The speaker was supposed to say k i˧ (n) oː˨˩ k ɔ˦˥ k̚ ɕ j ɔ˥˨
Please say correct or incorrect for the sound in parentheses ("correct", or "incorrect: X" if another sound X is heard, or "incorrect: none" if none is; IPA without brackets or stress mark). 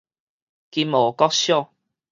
incorrect: m